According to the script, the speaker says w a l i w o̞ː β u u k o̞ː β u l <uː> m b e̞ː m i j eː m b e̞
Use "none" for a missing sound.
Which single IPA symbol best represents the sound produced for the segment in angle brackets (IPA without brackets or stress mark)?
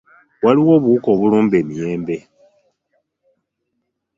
uː